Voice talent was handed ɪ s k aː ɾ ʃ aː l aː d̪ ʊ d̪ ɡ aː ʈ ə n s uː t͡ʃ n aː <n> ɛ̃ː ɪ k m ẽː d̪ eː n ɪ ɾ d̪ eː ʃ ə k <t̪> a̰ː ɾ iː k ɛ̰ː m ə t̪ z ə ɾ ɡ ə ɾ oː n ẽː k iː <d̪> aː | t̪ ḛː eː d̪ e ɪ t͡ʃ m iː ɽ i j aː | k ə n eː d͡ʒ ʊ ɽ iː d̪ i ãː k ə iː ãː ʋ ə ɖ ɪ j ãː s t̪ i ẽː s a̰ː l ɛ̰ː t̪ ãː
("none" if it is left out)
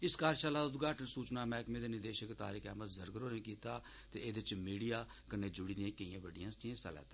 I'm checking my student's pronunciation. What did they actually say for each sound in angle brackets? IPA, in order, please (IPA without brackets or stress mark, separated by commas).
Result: m, t̪, t̪